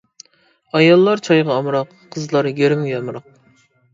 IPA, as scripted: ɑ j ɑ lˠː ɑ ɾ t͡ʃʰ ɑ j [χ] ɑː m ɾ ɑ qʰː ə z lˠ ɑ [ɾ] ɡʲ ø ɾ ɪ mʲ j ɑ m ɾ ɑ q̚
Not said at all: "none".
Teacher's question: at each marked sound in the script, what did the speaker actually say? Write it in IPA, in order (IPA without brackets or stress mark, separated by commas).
ʁ, ɾ